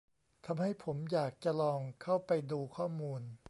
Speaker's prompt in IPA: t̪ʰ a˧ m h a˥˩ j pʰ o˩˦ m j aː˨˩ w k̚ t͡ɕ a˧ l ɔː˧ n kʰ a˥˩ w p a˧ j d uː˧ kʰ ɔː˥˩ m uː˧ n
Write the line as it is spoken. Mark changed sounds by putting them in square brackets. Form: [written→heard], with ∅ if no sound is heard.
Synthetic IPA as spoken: t̪ʰ a˧ m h a˥˩ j pʰ o˩˦ m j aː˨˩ [w→∅] k̚ t͡ɕ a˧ l ɔː˧ [n→ŋ] kʰ a˥˩ w p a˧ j d uː˧ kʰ ɔː˥˩ m uː˧ n